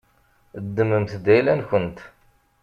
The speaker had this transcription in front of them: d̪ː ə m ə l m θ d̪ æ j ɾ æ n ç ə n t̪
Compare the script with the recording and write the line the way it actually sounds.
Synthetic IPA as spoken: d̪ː ə m ə m θ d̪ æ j l æ n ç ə n t̪